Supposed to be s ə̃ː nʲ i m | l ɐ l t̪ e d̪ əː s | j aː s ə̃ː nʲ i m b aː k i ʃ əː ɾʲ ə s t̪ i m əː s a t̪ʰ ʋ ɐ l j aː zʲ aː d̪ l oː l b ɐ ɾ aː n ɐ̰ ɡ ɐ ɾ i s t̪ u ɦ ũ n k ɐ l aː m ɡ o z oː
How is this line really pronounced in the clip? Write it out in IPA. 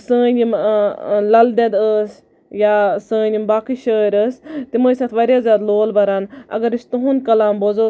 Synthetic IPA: s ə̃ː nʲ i m | l ɐ l d̪ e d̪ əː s | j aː s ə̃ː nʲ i m b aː k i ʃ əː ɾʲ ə s t̪ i m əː s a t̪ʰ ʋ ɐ ɾ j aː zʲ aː d̪ l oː l b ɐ ɾ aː n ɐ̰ ɡ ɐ ɾ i s t̪ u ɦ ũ n k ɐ l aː m b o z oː